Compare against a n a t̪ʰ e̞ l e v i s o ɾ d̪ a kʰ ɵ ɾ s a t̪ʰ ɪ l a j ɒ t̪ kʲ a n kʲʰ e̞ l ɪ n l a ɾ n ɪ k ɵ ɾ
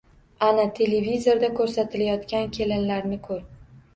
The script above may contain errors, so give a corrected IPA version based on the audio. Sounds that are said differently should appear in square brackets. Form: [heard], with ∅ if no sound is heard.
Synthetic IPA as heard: a n a t̪ʰ e̞ l e v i [z] o ɾ d̪ a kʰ ɵ ɾ s a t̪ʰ ɪ l a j ɒ t̪ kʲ a n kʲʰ e̞ l ɪ n l a ɾ n ɪ [kʰ] ɵ ɾ